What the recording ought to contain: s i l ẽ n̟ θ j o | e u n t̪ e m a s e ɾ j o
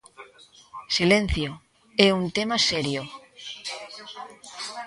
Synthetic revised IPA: s i l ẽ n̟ θ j o | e u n t̪ e m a s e ɾ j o